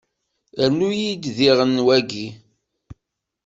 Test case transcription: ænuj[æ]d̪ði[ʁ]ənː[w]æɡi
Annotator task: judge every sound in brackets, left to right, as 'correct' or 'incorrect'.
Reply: incorrect: i, correct, correct

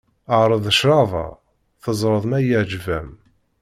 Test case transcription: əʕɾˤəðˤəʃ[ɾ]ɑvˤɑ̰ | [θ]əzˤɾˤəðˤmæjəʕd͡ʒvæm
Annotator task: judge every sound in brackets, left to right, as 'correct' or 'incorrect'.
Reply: correct, correct

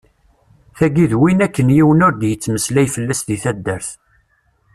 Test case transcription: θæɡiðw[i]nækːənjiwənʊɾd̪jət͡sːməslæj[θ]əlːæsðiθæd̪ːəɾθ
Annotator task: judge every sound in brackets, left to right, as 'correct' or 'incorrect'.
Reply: correct, incorrect: f

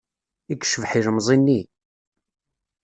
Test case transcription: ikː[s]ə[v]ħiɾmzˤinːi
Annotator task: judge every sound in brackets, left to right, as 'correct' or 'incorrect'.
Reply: incorrect: ʃ, correct

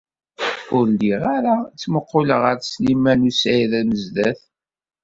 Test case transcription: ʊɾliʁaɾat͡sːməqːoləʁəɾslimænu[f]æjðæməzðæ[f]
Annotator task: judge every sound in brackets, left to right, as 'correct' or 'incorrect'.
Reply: incorrect: s, incorrect: θ

